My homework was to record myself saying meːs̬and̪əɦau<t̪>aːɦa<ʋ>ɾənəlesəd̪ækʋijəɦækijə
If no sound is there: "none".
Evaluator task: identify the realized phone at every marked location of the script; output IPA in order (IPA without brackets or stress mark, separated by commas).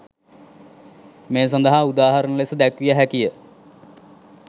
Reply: d̪, none